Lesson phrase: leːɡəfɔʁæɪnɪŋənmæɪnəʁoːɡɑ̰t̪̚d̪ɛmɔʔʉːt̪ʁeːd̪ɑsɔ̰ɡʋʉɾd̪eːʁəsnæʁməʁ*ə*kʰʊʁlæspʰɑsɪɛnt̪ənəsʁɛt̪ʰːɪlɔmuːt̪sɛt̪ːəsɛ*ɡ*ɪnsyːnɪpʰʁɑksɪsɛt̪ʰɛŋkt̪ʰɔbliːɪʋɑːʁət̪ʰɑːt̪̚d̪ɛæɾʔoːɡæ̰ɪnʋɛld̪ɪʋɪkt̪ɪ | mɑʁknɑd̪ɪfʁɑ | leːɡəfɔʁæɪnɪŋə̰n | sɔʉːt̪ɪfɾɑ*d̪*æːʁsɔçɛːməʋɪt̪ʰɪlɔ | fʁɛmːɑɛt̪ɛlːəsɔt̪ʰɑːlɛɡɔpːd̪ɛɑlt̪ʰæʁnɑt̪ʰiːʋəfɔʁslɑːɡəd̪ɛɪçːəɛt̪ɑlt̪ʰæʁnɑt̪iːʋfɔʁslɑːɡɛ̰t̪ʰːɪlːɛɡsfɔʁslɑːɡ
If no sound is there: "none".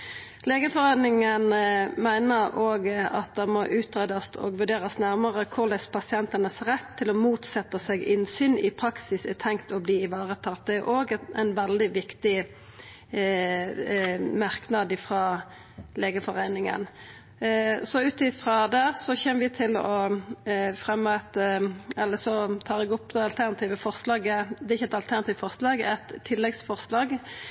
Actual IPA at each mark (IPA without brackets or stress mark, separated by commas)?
ə, ɡ, d̪